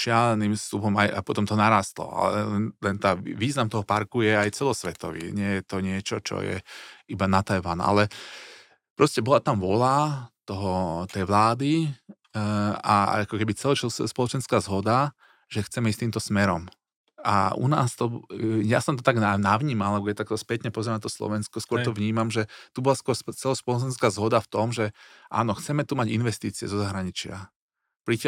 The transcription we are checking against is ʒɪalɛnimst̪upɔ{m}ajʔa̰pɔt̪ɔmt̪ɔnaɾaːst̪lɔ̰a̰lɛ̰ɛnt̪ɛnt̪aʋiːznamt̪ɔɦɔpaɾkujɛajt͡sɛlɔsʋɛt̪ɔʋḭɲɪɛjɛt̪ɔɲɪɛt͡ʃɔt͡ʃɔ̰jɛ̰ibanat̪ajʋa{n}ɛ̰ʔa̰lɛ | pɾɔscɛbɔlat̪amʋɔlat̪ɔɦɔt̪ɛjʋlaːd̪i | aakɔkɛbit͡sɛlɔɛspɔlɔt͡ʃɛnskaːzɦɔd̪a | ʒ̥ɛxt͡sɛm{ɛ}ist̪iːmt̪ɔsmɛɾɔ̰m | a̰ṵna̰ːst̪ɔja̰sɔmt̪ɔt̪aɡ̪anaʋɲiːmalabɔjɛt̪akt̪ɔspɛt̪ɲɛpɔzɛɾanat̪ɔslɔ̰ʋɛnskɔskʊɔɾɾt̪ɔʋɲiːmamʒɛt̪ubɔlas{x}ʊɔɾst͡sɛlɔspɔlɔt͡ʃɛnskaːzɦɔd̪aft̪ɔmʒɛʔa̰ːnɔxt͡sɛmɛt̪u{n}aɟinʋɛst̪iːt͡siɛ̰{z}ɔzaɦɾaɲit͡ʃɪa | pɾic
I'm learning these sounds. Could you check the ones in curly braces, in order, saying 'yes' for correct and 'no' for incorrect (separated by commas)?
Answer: yes, yes, yes, no, no, yes